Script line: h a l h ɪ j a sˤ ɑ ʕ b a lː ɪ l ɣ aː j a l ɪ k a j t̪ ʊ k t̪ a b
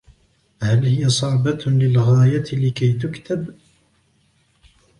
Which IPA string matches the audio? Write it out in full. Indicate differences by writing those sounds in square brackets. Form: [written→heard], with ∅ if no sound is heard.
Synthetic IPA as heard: h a l h ɪ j a sˤ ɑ ʕ b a [lː→l] ɪ l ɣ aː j a l ɪ k a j t̪ ʊ k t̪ a b